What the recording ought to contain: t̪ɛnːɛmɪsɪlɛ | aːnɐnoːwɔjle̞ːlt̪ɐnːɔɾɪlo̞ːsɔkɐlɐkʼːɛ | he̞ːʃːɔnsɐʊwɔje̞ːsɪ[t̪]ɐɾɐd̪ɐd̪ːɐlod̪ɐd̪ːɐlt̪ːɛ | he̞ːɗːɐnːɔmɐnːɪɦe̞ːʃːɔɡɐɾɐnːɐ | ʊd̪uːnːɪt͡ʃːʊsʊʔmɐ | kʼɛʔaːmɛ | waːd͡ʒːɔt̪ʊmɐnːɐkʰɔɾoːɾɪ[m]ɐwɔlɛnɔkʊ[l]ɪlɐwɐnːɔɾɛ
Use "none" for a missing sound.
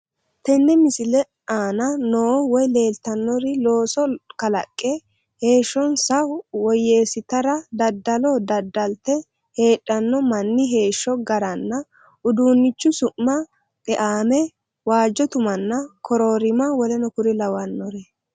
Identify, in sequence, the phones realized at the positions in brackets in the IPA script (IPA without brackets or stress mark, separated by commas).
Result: t̪, m, ɾ